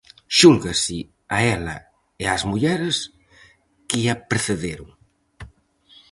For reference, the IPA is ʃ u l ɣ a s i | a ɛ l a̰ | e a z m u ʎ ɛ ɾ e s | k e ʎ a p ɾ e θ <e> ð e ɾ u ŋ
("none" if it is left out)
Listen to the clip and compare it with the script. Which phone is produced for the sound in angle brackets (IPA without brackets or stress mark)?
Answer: e